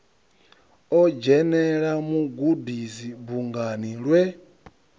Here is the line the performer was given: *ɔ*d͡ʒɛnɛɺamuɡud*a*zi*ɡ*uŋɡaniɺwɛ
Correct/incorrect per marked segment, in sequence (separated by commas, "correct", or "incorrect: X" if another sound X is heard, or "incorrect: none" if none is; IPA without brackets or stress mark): correct, incorrect: i, incorrect: b